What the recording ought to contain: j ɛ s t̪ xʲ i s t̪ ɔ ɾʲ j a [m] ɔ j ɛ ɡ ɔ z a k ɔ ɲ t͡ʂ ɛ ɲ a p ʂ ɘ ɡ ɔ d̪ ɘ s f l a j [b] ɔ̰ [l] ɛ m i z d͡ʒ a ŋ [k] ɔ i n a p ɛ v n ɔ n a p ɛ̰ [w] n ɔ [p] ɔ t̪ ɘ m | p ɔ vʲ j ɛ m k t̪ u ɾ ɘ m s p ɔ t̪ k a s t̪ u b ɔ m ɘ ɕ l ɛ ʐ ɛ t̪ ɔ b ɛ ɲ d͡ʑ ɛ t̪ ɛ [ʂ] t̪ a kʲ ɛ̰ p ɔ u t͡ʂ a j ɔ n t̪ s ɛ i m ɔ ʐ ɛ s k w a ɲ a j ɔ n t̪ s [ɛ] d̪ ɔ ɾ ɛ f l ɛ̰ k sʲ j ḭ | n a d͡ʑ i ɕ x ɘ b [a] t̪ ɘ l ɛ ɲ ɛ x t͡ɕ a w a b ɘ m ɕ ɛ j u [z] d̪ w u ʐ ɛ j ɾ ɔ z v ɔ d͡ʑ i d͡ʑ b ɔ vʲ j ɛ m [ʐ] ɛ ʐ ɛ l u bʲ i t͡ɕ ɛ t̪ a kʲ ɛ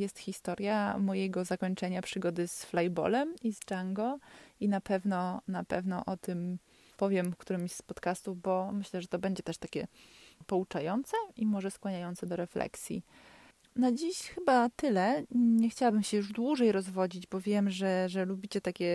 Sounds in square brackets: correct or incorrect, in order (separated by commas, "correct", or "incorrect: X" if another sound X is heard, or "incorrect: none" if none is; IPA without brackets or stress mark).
correct, correct, correct, incorrect: ɡ, incorrect: v, incorrect: ʔ, correct, correct, correct, incorrect: ʐ, correct